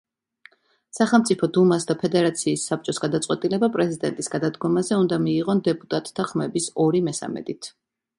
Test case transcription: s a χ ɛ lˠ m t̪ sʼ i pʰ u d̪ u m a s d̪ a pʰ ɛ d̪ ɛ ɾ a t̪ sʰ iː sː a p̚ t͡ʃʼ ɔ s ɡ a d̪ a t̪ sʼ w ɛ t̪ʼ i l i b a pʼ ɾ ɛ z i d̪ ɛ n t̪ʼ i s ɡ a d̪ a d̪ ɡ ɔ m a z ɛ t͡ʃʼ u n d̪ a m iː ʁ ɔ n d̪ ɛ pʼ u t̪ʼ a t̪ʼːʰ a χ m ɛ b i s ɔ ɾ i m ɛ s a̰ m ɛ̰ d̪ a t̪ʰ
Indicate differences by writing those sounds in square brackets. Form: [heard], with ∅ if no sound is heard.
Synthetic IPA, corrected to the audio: s a χ ɛ lˠ m t̪ sʼ i pʰ [ɔ] d̪ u m a s d̪ a pʰ ɛ d̪ ɛ ɾ a t̪ sʰ iː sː a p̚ t͡ʃʼ ɔ s ɡ a d̪ a t̪ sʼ w ɛ t̪ʼ i l [ɛ] b a pʼ ɾ ɛ z i d̪ ɛ n t̪ʼ i s ɡ a d̪ a d̪ ɡ ɔ m a z ɛ [∅] u n d̪ a m iː ʁ ɔ n d̪ ɛ pʼ u t̪ʼ a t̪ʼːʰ a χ m ɛ b i s ɔ ɾ i m ɛ s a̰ m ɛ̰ d̪ [i] t̪ʰ